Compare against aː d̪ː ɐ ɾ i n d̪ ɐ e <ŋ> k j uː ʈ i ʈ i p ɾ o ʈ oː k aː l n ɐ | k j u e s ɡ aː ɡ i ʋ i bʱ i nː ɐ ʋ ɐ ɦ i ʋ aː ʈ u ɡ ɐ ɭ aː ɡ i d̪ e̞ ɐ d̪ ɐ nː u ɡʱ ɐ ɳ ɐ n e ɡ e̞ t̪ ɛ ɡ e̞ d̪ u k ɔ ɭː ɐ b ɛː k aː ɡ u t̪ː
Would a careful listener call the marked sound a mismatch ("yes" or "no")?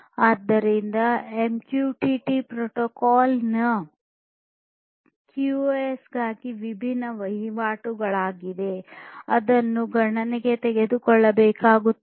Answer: yes